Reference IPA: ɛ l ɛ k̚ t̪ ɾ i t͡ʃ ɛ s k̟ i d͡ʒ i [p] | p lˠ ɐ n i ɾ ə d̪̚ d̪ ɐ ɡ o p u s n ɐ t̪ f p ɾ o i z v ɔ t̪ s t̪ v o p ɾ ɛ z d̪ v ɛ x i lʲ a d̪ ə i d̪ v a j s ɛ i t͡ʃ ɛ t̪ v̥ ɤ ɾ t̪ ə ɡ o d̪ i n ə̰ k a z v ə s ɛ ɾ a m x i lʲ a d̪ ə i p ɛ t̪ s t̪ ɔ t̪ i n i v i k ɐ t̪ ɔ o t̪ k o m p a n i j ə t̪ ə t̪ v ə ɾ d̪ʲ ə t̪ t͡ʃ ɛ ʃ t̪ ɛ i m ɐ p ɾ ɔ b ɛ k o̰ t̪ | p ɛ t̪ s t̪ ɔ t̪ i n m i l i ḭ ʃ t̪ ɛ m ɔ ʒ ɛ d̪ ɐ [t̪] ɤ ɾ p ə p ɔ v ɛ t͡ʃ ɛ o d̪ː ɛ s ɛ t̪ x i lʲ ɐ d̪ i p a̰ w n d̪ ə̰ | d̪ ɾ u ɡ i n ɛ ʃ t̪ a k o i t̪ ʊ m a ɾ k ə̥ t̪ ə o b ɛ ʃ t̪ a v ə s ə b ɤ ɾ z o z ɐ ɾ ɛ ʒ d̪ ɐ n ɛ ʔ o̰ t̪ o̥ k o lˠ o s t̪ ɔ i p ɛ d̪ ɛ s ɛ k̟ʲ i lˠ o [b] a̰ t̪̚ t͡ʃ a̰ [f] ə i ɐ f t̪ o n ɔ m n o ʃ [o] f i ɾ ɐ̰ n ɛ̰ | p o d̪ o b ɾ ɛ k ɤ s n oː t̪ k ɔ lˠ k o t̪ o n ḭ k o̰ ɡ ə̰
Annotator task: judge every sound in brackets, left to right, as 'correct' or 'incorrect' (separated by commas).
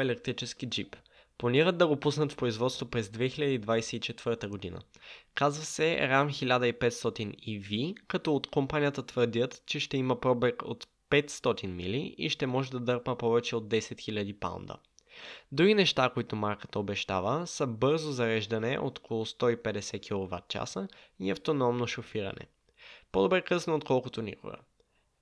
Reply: correct, incorrect, incorrect, incorrect, correct